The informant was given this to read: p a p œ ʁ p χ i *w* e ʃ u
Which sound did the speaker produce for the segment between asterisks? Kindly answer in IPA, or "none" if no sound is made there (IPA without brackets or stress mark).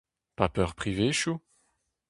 v